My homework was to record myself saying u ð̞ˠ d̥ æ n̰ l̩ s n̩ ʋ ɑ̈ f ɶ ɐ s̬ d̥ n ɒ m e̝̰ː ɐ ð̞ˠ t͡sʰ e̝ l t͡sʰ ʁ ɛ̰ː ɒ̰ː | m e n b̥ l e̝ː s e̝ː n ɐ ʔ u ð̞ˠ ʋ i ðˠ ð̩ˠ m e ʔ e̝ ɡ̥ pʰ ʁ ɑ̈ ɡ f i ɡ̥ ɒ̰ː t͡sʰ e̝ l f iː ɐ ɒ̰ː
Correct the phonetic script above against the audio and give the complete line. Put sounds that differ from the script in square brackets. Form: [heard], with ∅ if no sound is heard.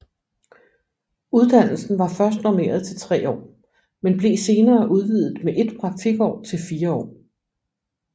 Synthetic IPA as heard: u ð̞ˠ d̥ æ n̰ l̩ s n̩ ʋ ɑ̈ f ɶ ɐ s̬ d̥ n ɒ m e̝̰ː ɐ ð̞ˠ t͡sʰ e̝ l t͡sʰ ʁ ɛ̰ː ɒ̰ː | m e n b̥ l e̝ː s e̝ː n [ɐː] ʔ u ð̞ˠ ʋ i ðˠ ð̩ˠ m e ʔ e̝ [d̥] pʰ ʁ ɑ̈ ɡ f i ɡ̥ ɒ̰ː t͡sʰ e̝ l f iː ɐ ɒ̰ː